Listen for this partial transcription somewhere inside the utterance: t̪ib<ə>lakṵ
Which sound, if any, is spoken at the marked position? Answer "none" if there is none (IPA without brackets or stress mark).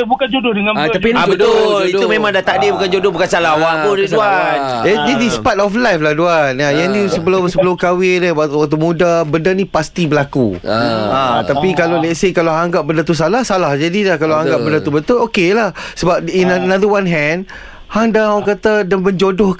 ə